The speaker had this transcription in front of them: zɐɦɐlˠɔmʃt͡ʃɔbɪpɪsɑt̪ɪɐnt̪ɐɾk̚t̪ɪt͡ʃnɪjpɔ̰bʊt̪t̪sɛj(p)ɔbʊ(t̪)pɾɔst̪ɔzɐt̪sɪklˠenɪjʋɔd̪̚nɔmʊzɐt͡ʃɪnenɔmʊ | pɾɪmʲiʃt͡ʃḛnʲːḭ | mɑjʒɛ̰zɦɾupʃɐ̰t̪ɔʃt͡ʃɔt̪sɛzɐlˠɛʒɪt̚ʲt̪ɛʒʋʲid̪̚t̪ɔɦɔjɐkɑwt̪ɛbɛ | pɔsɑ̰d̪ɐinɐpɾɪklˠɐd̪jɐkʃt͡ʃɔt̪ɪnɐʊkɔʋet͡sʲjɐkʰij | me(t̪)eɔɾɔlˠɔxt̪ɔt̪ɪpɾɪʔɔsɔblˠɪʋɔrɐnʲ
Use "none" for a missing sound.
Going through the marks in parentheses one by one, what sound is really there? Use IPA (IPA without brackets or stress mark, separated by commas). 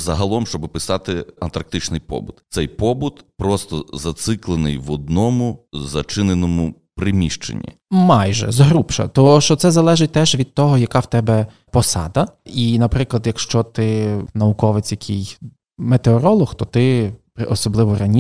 p, t̪, t̪